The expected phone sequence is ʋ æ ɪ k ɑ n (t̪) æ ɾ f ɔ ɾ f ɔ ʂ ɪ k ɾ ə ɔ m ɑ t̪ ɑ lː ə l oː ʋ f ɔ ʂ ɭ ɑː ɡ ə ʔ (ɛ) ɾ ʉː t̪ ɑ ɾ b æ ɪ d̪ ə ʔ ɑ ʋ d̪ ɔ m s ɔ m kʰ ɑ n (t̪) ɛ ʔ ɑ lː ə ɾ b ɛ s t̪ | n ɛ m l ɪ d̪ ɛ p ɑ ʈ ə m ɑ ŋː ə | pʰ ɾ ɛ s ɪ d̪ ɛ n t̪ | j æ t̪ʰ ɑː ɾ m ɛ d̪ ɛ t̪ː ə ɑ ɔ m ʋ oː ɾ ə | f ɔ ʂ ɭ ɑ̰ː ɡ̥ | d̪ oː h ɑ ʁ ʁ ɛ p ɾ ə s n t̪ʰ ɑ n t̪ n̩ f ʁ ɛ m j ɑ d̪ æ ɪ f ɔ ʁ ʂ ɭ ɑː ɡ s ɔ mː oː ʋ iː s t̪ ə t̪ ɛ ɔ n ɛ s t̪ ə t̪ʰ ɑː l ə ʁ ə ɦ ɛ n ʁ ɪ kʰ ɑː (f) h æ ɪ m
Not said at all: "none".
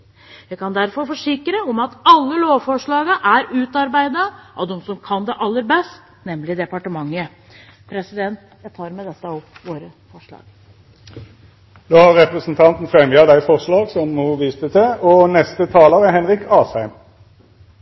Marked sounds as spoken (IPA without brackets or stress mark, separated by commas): d̪, æ, d̪, s